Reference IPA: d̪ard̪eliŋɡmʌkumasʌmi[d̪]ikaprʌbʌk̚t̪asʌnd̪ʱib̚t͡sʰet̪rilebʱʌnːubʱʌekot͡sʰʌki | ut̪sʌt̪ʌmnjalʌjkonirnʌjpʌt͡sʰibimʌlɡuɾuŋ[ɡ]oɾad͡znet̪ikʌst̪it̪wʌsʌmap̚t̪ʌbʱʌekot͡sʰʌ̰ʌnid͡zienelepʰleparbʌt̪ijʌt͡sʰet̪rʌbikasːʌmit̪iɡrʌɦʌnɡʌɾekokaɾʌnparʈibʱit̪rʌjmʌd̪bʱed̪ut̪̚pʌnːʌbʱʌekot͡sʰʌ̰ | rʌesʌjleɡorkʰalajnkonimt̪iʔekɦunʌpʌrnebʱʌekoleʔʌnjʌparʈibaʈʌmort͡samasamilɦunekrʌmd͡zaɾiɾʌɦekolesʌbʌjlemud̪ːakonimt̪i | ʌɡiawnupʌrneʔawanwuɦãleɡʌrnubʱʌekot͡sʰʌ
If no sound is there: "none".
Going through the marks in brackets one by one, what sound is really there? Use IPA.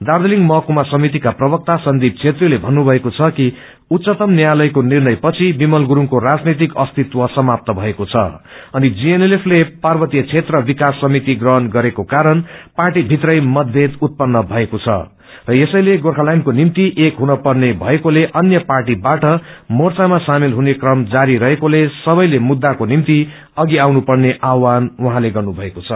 t̪, k

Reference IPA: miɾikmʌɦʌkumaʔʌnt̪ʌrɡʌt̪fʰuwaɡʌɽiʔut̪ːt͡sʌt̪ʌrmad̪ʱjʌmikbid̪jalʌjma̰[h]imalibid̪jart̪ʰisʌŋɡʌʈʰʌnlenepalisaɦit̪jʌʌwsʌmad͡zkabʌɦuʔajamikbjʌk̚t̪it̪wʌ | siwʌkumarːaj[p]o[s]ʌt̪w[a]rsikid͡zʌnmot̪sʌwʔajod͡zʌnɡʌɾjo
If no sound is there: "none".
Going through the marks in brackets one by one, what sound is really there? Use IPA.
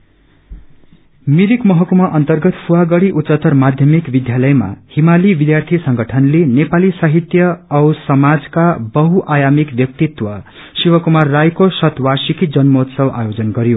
h, k, s, a

